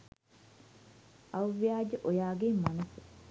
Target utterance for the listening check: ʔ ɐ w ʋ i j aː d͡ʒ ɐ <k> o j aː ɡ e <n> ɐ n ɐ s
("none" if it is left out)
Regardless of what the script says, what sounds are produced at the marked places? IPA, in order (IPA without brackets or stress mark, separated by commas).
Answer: ʔ, m